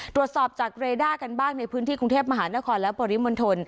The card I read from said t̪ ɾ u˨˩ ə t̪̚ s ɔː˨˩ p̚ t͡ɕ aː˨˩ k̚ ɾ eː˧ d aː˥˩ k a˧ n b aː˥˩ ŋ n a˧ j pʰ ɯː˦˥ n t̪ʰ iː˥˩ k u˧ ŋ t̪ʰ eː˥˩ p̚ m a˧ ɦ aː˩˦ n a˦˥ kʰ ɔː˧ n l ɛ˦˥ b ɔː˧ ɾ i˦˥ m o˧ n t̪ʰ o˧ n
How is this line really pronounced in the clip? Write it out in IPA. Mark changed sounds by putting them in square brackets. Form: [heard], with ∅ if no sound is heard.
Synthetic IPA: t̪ ɾ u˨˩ ə t̪̚ s ɔː˨˩ p̚ t͡ɕ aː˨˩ k̚ ɾ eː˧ d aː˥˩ k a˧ n b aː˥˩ ŋ n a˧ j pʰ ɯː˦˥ n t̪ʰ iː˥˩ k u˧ ŋ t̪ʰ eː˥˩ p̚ m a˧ ɦ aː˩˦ n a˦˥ kʰ ɔː˧ n l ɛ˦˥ b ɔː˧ ɾ i˦˥ m o˧ n t̪ʰ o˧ n